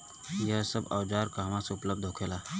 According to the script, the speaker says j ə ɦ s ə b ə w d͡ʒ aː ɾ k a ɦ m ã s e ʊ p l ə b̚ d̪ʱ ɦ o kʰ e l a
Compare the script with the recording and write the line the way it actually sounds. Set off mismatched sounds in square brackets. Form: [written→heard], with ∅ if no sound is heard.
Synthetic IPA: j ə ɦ s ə b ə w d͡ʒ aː ɾ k a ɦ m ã s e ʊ p l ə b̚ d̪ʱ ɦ o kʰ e l a